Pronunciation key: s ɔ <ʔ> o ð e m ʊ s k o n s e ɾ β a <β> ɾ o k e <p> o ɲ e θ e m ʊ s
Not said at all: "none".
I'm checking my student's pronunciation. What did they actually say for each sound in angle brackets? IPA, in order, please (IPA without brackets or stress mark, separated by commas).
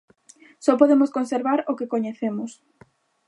p, none, k